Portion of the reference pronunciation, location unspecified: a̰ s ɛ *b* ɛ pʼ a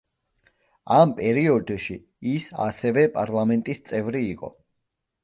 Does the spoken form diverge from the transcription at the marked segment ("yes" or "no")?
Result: yes